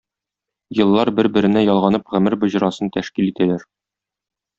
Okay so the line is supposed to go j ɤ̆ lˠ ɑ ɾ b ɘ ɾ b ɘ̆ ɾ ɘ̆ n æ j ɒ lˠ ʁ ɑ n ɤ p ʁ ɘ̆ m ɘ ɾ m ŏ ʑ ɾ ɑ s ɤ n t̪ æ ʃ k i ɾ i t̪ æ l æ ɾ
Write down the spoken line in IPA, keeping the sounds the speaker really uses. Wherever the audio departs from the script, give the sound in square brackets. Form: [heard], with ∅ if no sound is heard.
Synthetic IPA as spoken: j ɤ̆ [lˠː] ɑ ɾ b ɘ ɾ b ɘ̆ ɾ ɘ̆ n æ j ɒ lˠ ʁ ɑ n ɤ p ʁ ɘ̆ m ɘ ɾ [b] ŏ ʑ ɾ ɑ s ɤ n t̪ æ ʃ k i [l] i t̪ æ l æ ɾ